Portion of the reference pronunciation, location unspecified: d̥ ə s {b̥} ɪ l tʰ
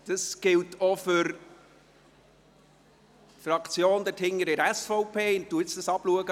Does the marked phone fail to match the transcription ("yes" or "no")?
yes